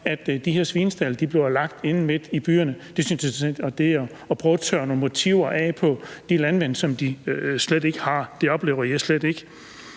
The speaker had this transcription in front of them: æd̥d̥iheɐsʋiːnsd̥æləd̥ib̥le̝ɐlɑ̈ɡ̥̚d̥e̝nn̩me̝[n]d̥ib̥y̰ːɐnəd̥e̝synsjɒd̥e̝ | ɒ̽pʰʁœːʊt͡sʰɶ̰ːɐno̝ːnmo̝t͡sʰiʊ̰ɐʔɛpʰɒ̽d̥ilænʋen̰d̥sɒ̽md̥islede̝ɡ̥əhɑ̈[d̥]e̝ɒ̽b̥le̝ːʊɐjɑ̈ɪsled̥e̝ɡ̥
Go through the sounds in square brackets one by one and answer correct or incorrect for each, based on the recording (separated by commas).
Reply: incorrect, correct